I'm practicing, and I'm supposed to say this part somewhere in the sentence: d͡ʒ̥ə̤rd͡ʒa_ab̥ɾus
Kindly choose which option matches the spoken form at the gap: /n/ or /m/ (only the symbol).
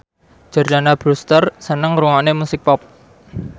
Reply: n